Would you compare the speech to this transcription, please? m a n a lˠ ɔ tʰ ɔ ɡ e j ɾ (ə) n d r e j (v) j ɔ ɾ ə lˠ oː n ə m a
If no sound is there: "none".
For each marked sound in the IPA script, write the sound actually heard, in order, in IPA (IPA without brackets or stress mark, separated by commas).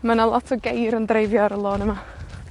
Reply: ə, v